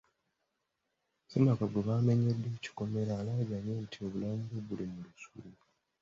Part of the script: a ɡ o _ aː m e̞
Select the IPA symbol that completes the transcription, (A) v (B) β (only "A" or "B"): B